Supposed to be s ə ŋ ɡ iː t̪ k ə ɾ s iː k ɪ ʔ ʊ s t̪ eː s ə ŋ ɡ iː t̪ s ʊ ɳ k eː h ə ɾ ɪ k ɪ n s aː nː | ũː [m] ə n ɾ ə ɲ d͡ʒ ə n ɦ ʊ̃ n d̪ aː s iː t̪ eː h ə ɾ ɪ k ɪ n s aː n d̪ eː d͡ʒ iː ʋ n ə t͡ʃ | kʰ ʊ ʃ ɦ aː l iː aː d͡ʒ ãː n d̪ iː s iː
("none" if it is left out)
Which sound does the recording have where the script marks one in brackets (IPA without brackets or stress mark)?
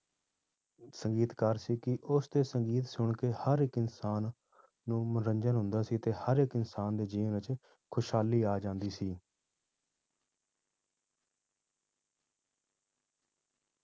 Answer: m